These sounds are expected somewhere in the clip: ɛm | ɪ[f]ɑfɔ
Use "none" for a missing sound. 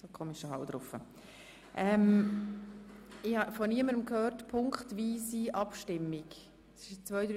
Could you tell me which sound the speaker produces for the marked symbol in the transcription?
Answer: h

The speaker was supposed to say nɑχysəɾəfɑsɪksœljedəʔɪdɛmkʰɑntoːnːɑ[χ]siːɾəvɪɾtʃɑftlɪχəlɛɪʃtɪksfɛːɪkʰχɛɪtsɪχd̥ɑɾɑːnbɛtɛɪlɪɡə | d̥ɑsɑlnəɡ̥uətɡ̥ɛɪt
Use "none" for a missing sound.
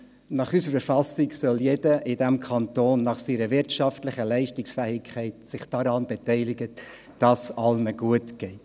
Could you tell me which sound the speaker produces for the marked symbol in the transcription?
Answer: χ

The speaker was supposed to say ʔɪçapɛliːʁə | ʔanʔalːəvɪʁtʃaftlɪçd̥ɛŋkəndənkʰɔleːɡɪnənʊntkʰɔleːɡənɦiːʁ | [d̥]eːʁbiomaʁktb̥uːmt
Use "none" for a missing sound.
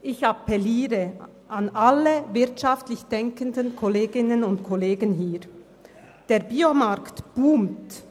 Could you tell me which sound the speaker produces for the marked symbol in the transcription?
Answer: d̥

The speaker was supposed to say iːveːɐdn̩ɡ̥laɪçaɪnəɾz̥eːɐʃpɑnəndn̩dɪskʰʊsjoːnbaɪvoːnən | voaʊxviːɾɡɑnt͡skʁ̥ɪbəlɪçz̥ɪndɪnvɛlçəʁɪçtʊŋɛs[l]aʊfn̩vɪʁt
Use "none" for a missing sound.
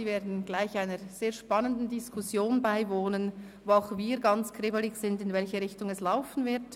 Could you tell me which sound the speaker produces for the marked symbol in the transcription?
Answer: l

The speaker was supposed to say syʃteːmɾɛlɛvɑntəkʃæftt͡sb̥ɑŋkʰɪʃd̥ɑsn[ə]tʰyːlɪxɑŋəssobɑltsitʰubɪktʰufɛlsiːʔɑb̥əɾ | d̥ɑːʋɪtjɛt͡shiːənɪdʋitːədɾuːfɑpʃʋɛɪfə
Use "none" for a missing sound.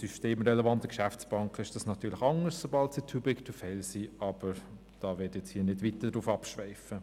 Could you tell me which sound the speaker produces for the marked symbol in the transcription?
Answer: ɑ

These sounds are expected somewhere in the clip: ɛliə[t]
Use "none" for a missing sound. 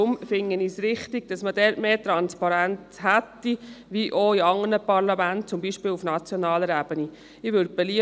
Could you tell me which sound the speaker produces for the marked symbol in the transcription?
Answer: none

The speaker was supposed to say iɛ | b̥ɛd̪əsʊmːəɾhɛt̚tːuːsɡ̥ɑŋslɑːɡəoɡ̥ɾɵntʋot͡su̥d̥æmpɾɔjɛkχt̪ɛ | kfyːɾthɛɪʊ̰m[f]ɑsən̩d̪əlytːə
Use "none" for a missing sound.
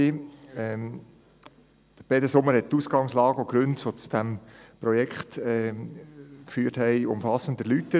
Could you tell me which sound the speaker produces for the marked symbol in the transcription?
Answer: f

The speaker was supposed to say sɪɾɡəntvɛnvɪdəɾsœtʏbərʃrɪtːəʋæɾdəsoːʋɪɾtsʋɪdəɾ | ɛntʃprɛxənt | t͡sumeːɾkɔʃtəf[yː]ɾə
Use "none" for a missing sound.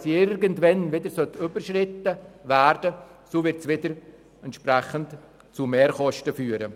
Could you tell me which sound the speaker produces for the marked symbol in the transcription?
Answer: yː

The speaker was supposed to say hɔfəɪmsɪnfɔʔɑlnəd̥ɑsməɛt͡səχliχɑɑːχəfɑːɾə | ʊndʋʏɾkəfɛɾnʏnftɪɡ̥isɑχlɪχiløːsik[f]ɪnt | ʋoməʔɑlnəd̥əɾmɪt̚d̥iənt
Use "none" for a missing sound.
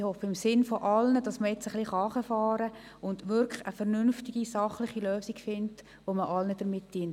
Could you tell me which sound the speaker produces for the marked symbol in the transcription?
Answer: f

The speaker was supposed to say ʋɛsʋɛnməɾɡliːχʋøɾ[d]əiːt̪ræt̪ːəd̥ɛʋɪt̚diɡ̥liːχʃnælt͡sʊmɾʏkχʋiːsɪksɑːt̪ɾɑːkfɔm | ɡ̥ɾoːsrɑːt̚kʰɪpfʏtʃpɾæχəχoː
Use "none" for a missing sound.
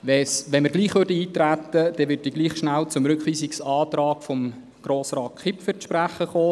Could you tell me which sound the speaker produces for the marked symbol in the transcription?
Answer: d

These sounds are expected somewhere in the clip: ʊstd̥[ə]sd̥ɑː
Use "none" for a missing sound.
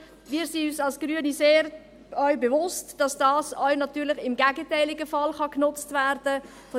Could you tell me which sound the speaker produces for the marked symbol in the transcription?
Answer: ɑ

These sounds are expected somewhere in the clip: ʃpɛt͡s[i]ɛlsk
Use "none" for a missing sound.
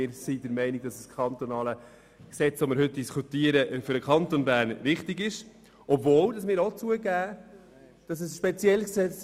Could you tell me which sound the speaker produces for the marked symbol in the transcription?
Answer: j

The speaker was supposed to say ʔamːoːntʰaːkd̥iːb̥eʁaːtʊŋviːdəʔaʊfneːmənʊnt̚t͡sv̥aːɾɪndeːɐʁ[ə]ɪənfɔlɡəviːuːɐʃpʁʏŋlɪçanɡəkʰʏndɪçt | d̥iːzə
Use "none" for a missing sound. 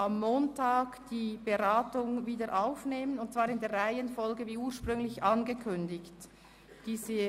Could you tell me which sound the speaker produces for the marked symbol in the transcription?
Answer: a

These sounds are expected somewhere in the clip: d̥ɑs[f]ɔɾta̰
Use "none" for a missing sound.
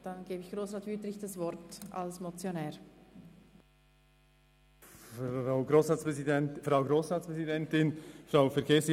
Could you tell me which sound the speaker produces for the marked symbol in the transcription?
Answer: v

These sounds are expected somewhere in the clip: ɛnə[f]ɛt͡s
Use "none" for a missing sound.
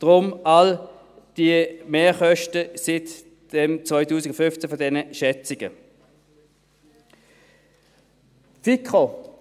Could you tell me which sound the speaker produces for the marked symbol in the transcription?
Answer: ʃ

